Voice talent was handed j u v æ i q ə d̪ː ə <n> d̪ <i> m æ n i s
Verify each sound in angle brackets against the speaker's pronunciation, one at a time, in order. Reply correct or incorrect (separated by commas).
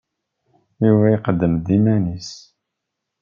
incorrect, correct